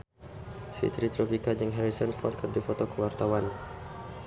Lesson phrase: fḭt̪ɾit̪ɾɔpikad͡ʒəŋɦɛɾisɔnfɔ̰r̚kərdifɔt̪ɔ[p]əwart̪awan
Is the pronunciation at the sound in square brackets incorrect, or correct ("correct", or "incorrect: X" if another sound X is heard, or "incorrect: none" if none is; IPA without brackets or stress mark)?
incorrect: k